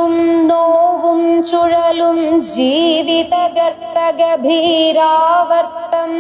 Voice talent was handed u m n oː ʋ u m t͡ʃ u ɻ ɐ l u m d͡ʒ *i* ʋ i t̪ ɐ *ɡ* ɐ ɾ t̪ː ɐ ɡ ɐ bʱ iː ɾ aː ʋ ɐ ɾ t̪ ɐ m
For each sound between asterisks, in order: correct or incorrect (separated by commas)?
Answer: incorrect, correct